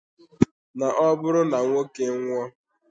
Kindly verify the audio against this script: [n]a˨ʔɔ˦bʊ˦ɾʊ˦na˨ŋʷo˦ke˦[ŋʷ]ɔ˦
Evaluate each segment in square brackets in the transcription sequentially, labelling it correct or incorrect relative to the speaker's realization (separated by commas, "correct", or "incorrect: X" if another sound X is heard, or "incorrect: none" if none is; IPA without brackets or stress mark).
correct, correct